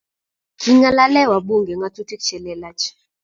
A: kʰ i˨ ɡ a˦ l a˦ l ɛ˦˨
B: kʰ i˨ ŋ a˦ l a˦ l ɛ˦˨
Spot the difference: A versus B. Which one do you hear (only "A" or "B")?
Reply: B